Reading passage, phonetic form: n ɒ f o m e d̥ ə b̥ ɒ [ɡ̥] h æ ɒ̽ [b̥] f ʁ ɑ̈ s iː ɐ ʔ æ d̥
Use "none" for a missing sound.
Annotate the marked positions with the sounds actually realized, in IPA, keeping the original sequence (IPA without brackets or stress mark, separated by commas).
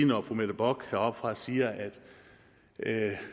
ɡ̥, b̥